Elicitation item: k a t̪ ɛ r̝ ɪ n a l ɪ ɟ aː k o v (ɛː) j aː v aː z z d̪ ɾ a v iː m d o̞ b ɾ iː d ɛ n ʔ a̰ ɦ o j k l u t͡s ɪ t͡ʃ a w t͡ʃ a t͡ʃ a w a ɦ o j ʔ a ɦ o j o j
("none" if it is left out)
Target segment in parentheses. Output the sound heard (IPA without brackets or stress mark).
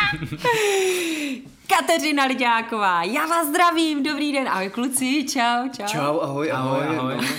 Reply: aː